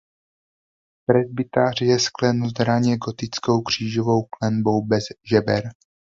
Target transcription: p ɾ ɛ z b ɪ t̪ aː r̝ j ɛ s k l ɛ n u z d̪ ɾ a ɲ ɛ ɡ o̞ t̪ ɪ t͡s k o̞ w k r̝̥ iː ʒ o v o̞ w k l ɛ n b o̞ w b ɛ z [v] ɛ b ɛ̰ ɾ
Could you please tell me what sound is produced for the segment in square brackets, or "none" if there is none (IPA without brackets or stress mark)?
ʒ